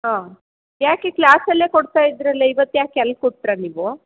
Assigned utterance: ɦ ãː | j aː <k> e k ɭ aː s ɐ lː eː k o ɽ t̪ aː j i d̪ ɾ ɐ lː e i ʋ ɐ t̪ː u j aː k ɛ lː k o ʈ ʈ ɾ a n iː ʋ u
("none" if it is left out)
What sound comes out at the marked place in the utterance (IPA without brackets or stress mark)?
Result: k